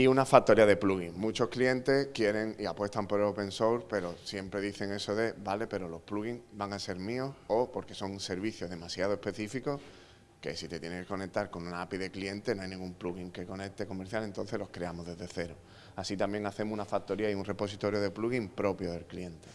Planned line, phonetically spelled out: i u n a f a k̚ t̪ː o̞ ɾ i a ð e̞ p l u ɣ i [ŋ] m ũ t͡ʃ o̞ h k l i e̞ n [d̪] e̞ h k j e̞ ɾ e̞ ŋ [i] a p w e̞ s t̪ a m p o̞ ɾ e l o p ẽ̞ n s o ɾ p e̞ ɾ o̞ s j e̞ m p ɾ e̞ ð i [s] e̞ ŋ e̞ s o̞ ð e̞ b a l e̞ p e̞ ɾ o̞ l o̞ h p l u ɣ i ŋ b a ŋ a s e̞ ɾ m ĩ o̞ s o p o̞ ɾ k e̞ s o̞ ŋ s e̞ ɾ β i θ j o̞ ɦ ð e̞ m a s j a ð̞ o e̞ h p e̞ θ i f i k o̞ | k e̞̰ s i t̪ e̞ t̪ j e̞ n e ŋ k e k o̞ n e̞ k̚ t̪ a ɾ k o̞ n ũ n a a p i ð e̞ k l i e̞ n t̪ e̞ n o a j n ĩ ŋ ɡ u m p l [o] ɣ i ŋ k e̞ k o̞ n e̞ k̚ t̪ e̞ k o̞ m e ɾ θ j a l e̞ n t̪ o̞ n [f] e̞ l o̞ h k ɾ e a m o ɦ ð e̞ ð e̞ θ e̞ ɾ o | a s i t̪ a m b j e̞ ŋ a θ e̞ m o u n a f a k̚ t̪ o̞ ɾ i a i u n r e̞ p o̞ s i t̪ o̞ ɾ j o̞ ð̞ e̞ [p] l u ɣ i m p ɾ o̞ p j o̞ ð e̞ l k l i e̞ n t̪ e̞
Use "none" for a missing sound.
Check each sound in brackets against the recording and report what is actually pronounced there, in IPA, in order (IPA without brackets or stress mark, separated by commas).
ŋ, t̪, i, θ, u, θ, p